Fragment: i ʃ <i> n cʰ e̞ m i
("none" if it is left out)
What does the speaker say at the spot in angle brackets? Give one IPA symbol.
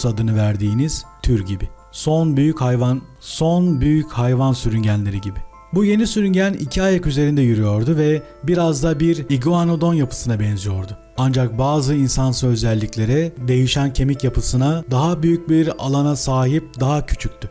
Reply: æ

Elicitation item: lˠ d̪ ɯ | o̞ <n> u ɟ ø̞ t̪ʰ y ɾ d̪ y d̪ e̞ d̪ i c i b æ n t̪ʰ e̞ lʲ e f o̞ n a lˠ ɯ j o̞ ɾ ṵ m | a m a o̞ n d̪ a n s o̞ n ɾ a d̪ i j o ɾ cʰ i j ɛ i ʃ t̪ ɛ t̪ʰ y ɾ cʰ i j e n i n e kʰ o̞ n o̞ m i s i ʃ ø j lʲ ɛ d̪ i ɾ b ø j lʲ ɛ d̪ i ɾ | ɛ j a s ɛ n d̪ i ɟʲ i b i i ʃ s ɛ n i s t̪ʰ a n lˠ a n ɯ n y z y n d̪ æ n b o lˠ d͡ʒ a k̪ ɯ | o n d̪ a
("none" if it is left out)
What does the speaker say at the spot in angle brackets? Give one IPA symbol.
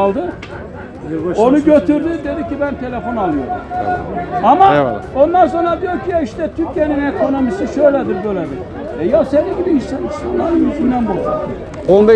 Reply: n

